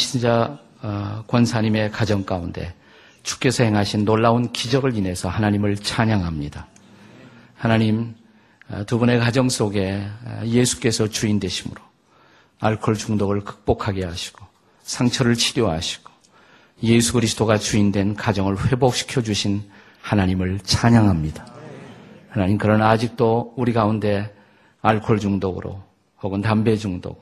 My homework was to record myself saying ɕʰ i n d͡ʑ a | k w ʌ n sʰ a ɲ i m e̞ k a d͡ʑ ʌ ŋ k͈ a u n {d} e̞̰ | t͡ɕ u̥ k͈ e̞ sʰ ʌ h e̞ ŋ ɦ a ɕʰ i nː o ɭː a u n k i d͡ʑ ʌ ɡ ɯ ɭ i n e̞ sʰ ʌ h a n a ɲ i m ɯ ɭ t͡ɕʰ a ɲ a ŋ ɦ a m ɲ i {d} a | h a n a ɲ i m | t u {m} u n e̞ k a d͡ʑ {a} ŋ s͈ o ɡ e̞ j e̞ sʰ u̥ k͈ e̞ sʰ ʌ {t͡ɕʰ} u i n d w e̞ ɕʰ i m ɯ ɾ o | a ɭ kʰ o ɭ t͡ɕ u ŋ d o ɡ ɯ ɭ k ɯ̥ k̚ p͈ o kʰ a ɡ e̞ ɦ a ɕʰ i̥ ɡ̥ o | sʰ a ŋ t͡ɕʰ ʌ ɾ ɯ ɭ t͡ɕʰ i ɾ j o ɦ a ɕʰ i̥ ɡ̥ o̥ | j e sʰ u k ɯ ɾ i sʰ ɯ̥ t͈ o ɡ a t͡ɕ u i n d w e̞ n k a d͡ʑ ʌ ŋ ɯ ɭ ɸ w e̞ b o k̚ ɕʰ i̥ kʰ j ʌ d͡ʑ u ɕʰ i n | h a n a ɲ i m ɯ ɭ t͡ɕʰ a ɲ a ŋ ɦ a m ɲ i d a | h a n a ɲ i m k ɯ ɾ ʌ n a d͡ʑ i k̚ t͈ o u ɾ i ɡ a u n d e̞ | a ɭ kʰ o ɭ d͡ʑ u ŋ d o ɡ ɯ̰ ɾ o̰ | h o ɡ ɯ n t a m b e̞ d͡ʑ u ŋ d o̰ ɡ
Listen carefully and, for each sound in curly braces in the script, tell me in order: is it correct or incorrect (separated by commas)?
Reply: correct, correct, incorrect, incorrect, incorrect